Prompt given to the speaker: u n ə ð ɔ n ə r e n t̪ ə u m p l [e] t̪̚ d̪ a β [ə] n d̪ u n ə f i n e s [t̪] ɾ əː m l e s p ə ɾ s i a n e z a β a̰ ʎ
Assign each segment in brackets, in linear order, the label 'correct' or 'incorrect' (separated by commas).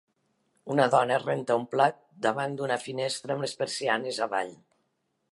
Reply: incorrect, incorrect, correct